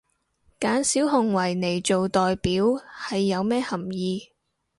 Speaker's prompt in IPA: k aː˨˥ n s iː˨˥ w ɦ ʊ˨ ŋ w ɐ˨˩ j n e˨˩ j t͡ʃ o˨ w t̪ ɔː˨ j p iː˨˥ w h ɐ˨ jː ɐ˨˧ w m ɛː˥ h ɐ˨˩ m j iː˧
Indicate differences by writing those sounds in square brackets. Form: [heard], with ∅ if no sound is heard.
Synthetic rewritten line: k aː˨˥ n s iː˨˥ w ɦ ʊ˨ ŋ w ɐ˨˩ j n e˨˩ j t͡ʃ o˨ w t̪ ɔː˨ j p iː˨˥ w h ɐ˨ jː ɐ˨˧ w m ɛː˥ h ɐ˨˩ m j iː˧